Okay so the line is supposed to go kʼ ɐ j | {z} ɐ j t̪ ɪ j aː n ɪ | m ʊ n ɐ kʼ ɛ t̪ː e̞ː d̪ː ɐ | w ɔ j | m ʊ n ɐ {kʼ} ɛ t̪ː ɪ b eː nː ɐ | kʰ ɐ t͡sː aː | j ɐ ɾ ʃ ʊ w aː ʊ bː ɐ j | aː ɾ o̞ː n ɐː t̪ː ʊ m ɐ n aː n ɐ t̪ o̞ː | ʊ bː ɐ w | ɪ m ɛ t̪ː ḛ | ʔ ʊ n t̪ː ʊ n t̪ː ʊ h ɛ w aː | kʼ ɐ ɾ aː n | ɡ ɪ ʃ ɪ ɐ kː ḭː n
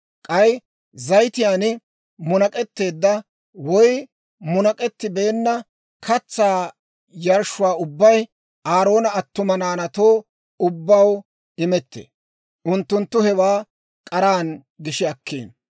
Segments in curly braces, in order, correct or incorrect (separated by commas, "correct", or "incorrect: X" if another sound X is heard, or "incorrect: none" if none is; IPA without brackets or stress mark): correct, correct